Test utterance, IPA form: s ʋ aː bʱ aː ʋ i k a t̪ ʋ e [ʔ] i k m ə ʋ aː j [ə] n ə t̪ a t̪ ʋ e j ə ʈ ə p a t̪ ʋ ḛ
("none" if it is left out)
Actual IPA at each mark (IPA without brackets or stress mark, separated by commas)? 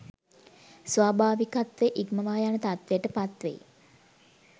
ʔ, a